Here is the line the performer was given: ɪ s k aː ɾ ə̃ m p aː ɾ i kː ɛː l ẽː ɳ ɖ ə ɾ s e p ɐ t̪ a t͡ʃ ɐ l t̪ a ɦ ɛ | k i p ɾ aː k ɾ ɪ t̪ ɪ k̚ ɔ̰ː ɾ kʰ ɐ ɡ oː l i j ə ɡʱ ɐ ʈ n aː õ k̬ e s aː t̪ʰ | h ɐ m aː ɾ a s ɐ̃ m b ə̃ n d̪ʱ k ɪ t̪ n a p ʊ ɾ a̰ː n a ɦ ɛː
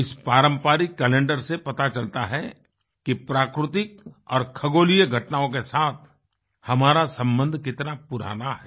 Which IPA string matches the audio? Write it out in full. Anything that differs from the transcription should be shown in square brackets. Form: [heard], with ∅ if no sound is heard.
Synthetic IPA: ɪ s [p] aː ɾ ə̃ m p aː ɾ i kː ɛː l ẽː ɳ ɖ ə ɾ s e p ɐ t̪ a t͡ʃ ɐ l t̪ a ɦ ɛ | k i p ɾ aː k ɾ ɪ t̪ ɪ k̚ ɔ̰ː ɾ kʰ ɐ ɡ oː l i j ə ɡʱ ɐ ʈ n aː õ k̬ e s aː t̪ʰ | h ɐ m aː ɾ a s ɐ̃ m b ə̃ n d̪ʱ k ɪ t̪ n a p ʊ ɾ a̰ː n a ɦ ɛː